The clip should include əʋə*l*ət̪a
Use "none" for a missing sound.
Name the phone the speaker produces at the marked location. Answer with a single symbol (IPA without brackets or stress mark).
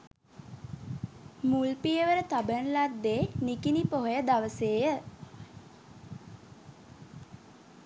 ɾ